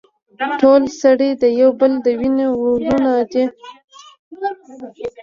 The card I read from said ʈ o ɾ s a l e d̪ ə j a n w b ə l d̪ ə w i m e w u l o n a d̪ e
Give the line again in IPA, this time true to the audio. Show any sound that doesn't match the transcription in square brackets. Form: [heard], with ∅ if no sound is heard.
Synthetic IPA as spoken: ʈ o [l] s a [ɽ] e d̪ ə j a [∅] w b ə l d̪ ə w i [n] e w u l [u] n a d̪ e

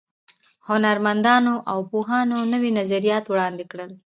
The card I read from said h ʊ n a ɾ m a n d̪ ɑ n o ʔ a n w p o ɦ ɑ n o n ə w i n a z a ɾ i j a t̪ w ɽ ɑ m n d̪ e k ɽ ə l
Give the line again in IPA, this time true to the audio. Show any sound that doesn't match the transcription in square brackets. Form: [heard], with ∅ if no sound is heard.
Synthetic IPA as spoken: h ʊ n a ɾ m a n d̪ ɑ n o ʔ a [∅] w p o ɦ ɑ n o n ə w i n a z a ɾ i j [ɑ] t̪ w ɽ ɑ [∅] n d̪ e k ɽ ə l

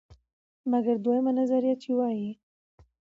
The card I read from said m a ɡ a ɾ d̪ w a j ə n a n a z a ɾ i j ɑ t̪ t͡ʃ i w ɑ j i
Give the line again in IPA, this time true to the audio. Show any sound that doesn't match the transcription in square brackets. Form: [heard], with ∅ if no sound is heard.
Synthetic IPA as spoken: m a ɡ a ɾ d̪ w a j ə [m] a n a z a ɾ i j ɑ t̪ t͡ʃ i w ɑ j i

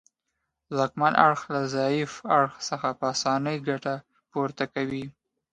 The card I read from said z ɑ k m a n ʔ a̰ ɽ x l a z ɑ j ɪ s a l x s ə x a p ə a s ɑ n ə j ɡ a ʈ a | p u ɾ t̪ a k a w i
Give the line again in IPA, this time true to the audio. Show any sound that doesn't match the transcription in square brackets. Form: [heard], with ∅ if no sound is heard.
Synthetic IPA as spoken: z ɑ k m a n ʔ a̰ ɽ x l a z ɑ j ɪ [f] a [ɽ] x s ə x a p ə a s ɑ n ə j ɡ a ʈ a | p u ɾ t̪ a k a w i

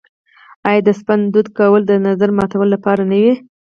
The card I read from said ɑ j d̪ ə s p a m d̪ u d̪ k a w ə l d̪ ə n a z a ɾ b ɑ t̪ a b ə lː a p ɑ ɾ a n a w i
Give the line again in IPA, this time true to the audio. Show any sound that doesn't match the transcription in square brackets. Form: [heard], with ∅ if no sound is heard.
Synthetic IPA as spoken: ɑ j d̪ ə s p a [n] d̪ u d̪ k a w ə l d̪ ə n a z a ɾ [m] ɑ t̪ a [w] ə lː a p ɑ ɾ a n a w i

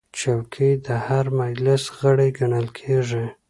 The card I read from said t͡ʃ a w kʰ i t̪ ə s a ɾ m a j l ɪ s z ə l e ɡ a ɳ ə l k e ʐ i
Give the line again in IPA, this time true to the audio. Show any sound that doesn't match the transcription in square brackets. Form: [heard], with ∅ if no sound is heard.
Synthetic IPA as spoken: t͡ʃ a w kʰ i [d̪] ə [h] a ɾ m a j l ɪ s [ɣ] ə [ɽ] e ɡ a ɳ ə l [kʰ] e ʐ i

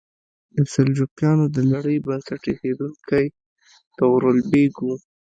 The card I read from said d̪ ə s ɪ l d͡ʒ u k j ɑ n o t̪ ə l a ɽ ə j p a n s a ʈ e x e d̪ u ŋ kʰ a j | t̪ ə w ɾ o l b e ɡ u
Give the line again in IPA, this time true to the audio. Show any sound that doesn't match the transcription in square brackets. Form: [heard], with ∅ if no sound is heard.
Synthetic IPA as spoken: d̪ ə s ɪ l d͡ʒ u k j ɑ n o [d̪] ə l a ɽ ə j [b] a n s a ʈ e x e d̪ u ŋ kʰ a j | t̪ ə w ɾ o l b e ɡ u

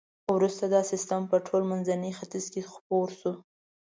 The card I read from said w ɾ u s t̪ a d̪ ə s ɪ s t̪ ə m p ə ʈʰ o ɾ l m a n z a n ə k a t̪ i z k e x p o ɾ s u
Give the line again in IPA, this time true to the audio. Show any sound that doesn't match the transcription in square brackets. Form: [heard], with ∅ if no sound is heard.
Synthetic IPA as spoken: w ɾ u s t̪ a d̪ [ɑ] s ɪ s t̪ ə m p ə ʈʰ o [∅] l m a n z a n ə [x] a t̪ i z k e x p o ɾ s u

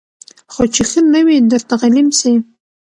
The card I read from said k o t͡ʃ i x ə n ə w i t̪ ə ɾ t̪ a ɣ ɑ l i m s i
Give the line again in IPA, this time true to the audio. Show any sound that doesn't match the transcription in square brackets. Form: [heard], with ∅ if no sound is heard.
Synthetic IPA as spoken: [x] o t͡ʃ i x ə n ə w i [d̪] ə ɾ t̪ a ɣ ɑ l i m s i

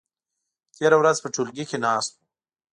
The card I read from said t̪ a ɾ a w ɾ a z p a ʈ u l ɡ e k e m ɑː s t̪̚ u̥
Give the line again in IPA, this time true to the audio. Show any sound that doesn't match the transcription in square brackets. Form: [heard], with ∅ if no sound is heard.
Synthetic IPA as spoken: t̪ [e] ɾ a w ɾ a z p [ə] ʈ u l ɡ [i] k e [n] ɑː s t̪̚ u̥

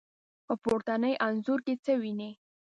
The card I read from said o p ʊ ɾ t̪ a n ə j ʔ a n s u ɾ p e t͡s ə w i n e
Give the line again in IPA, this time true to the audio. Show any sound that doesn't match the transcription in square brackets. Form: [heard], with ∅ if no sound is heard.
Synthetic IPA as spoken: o p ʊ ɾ t̪ a n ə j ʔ a n [z] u ɾ [k] e t͡s ə w i n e

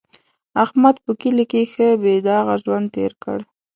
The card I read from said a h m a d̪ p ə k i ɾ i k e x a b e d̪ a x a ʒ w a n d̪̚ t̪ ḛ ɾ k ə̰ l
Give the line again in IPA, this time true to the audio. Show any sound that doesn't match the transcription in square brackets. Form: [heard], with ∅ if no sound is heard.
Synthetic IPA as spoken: a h m a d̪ p ə k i [l] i k e x [ə] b e d̪ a [ɣ] a ʒ w a n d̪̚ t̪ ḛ ɾ k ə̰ [ɽ]

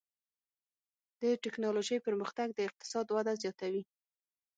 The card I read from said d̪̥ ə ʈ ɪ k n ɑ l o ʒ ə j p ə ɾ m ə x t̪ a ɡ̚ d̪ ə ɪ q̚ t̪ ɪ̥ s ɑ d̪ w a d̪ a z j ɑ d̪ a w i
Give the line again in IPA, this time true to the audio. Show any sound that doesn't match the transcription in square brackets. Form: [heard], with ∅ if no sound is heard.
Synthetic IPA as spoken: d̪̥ ə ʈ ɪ k n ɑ l o ʒ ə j p ə ɾ m ə x t̪ a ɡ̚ d̪ ə ɪ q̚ t̪ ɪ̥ s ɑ d̪ w a d̪ a z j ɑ [t̪] a w i

